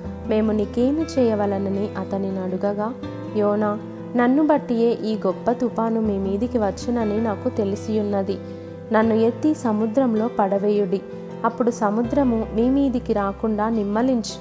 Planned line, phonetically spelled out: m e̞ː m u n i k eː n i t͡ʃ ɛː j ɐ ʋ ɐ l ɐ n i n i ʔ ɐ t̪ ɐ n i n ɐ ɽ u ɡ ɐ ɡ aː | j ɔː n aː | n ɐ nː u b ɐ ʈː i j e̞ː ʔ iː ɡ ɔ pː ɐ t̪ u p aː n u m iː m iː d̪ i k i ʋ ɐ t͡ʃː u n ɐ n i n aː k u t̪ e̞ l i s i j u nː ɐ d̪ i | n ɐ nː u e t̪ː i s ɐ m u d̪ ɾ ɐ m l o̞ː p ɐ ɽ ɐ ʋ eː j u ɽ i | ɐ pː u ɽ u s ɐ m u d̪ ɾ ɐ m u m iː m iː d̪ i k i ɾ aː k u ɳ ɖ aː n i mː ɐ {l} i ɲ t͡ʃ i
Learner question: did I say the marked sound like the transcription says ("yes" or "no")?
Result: yes